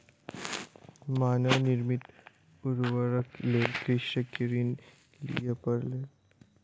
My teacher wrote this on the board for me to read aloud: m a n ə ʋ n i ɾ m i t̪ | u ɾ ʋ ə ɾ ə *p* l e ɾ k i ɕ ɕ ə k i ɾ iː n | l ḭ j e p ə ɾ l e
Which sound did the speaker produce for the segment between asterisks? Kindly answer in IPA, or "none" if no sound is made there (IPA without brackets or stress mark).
k